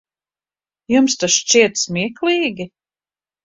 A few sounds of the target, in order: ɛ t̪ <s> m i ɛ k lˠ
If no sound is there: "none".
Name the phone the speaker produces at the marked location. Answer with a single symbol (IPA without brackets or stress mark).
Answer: s